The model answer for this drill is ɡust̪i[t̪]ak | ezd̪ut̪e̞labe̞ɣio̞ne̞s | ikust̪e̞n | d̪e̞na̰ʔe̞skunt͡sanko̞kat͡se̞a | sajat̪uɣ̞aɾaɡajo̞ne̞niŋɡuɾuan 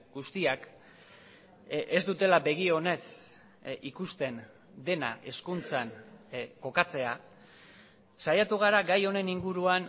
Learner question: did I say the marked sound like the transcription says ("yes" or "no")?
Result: no